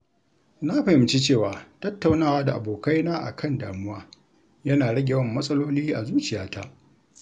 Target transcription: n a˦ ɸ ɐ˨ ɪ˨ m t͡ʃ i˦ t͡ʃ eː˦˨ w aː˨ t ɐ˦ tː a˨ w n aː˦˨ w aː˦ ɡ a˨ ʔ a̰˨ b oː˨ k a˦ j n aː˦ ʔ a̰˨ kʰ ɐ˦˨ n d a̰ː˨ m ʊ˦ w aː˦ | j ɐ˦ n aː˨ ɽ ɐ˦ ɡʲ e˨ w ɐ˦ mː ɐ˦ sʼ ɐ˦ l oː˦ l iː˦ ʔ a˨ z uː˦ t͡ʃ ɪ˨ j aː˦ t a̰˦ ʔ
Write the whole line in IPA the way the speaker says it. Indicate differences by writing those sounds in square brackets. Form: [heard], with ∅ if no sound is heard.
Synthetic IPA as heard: n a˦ ɸ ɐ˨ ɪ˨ m t͡ʃ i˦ t͡ʃ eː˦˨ w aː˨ t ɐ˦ tː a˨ w n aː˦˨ w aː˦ [d] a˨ ʔ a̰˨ b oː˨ k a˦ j n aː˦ ʔ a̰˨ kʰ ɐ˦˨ n d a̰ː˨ m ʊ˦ w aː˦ | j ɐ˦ n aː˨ ɽ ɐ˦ ɡʲ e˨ w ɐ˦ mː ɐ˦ sʼ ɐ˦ l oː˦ l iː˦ ʔ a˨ z uː˦ t͡ʃ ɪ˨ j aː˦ t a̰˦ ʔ